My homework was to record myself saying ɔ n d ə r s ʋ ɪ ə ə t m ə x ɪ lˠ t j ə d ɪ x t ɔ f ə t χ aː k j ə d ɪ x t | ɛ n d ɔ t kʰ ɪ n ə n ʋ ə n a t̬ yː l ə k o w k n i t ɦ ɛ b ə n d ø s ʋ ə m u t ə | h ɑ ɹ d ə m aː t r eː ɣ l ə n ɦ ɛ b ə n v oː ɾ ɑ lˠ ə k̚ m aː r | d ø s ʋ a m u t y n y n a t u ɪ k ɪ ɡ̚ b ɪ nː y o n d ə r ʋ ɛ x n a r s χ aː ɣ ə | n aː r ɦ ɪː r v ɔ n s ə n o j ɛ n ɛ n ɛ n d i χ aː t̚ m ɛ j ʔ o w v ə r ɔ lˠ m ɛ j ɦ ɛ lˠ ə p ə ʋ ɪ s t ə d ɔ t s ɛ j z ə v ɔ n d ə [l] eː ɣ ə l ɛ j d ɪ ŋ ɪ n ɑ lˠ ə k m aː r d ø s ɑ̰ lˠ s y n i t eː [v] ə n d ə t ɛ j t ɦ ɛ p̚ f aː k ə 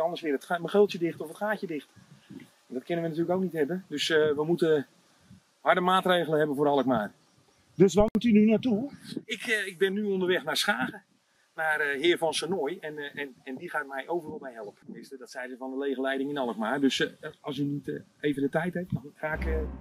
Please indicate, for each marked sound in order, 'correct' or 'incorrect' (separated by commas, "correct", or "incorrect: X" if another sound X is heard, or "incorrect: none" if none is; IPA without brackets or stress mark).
correct, correct